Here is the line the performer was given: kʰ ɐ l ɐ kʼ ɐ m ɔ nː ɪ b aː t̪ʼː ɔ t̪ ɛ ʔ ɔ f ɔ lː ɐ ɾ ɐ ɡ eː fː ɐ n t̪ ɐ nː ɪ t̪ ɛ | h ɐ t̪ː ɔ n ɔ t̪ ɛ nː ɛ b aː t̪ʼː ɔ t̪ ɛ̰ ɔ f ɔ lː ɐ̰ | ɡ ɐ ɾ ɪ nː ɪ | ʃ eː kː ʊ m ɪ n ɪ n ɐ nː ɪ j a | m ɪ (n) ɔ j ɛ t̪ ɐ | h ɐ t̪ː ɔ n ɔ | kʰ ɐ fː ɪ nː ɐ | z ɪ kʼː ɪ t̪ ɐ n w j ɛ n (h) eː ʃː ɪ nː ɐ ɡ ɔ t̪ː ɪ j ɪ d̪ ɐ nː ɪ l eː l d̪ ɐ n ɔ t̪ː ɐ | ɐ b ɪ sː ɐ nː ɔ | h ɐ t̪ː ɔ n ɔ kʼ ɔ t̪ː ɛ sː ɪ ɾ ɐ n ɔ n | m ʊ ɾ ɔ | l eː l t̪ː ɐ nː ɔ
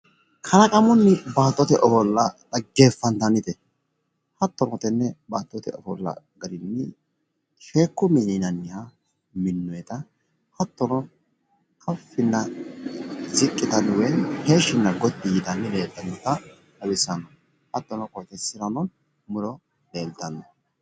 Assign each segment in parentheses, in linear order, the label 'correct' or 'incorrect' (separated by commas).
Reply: incorrect, correct